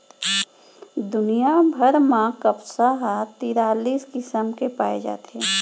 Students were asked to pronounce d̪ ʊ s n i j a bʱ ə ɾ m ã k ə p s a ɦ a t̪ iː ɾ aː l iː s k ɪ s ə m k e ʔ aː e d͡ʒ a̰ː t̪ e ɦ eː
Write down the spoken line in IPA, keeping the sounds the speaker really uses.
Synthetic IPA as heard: d̪ ʊ n i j a bʱ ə ɾ m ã k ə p s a ɦ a t̪ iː ɾ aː l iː s k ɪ s ə m k e p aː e d͡ʒ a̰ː t̪ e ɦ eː